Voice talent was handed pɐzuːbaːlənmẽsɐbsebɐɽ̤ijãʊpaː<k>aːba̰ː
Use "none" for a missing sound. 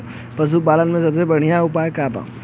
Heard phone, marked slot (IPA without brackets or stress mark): k